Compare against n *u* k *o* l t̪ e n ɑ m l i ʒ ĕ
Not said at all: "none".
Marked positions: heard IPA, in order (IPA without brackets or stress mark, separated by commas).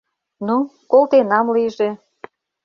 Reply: u, o